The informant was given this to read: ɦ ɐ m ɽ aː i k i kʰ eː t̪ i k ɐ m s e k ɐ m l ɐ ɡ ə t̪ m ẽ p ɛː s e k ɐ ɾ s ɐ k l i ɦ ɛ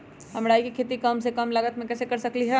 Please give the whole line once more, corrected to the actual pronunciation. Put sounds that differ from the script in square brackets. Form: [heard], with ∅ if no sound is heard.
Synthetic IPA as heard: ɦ ɐ m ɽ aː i k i kʰ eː t̪ i k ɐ m s e k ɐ m l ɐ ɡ ə t̪ m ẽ [k] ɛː s e k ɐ ɾ s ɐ k l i ɦ ɛ

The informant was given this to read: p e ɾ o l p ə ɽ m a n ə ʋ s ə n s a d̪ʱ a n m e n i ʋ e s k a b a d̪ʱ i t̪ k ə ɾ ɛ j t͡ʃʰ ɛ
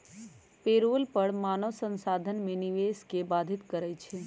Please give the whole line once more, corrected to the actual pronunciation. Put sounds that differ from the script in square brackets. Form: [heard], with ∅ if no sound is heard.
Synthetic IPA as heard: p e ɾ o l p ə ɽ m a n ə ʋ s ə n s a d̪ʱ [ə] n m e n i ʋ e s k [e] b a d̪ʱ i t̪ k ə ɾ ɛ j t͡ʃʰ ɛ

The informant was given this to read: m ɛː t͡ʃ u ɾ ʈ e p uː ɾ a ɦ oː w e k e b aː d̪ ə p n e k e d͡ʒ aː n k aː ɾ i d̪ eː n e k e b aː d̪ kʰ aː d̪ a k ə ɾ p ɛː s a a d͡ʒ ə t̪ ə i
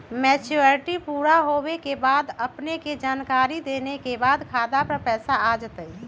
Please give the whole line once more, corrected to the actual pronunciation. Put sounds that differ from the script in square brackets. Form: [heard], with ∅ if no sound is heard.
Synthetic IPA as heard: m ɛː t͡ʃ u ɾ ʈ [i] p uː ɾ a ɦ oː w e k e b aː d̪ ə p n e k e d͡ʒ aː n k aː ɾ i d̪ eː n e k e b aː d̪ kʰ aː d̪ a [p] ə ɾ p ɛː s a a d͡ʒ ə t̪ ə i

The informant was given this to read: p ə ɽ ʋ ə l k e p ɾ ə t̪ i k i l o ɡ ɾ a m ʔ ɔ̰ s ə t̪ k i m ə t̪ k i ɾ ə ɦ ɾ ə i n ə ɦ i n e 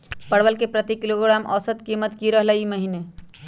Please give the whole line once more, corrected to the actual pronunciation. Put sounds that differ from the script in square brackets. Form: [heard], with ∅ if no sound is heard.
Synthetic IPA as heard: p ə ɽ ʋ ə l k e p ɾ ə t̪ i k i l o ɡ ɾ a m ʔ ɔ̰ s ə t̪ k i m ə t̪ k i ɾ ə ɦ [l] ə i [m] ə ɦ i n e

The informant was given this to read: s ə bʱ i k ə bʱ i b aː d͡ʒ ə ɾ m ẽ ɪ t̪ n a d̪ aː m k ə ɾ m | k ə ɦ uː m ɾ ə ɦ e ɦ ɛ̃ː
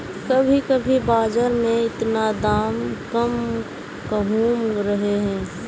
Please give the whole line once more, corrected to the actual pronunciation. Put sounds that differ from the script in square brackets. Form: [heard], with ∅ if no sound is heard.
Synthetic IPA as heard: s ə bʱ i k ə bʱ i b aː d͡ʒ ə ɾ m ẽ ɪ t̪ n a d̪ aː m k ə [∅] m | k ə ɦ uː m ɾ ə ɦ e ɦ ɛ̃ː

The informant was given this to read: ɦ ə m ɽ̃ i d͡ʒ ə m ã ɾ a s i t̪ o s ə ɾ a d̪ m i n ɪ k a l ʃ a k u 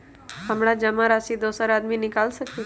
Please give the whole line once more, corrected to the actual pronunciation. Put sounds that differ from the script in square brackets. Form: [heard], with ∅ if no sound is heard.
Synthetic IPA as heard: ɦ ə m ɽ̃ [a] d͡ʒ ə m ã ɾ a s i [d̪] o s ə ɾ a d̪ m i n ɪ k a l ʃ [ə] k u

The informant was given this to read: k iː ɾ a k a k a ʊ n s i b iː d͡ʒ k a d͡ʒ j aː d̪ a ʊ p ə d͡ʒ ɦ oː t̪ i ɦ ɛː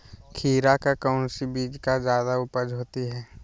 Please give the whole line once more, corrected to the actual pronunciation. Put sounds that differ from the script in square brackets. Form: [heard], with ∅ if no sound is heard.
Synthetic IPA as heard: [kʰ] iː ɾ a k a k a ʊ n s i b iː d͡ʒ k a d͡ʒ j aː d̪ a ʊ p ə d͡ʒ ɦ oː t̪ i ɦ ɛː

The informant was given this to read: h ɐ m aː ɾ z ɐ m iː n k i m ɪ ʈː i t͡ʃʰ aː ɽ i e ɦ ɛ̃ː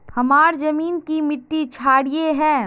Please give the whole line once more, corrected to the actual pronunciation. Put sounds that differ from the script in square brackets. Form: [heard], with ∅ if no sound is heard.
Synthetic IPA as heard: h ɐ m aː ɾ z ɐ m iː n k i m ɪ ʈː i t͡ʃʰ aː ɽ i e ɦ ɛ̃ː

